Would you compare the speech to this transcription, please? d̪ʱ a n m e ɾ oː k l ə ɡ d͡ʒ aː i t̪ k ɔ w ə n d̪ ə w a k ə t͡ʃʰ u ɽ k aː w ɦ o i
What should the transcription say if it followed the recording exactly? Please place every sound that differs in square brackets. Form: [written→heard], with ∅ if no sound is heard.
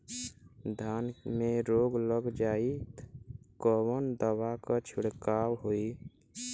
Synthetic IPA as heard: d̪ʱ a n m e ɾ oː [k→ɡ] l ə ɡ d͡ʒ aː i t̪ k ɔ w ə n d̪ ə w a k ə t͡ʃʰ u ɽ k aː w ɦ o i